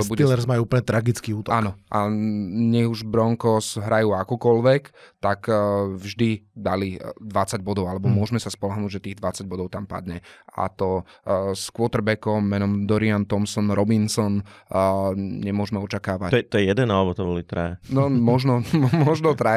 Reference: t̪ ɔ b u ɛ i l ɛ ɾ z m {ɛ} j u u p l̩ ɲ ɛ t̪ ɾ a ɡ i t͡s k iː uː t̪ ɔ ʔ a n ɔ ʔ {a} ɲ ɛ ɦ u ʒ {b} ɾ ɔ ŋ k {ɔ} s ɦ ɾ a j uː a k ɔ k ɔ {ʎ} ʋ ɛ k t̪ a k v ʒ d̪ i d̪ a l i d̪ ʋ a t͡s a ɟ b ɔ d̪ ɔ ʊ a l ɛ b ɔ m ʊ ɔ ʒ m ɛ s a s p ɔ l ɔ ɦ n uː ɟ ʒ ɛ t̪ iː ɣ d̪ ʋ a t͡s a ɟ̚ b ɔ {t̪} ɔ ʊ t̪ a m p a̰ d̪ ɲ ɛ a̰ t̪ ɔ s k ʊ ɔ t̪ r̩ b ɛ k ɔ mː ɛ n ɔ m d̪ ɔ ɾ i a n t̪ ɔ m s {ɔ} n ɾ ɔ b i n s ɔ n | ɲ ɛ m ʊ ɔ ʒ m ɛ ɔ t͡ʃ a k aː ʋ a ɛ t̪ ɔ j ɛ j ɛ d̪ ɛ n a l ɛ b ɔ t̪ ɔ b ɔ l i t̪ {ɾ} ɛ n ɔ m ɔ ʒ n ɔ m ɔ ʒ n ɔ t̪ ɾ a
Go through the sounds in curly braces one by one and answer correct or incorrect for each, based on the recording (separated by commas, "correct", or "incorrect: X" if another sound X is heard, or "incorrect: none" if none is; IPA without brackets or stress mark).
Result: incorrect: a, correct, correct, correct, incorrect: l, incorrect: d̪, correct, correct